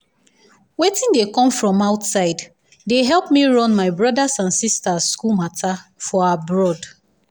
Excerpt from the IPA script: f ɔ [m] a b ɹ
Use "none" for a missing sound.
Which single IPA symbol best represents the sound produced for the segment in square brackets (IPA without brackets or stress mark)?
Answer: none